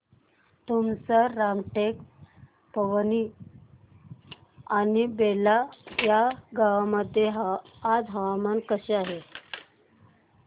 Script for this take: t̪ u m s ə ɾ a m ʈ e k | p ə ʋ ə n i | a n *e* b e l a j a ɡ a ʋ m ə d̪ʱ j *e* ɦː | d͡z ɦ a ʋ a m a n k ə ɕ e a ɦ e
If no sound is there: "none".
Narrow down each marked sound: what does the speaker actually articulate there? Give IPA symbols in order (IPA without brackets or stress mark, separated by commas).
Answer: i, e